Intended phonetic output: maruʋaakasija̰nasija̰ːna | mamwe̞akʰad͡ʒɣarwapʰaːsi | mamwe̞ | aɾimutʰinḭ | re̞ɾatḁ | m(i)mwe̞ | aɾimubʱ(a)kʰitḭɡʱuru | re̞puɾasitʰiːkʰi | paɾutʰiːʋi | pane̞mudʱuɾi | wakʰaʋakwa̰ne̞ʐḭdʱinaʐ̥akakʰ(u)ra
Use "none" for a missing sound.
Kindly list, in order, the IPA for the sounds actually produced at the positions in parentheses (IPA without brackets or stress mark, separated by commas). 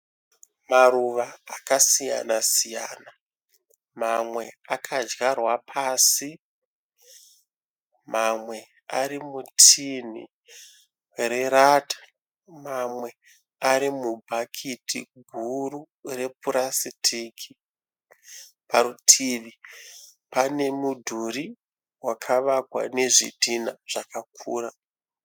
a, a, uː